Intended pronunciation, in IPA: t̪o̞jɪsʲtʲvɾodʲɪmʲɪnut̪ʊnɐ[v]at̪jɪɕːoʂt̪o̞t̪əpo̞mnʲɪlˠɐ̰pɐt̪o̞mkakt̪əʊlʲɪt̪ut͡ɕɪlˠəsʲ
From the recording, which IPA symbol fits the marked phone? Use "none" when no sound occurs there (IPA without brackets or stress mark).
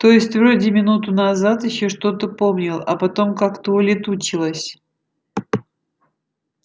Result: z